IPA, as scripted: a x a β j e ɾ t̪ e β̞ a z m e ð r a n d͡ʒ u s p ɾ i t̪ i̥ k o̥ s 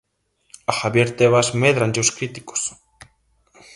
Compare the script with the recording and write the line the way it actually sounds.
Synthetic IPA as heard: a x a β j e ɾ t̪ e β̞ a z m e ð ɾ a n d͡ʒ o s k ɾ i t̪ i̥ k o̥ s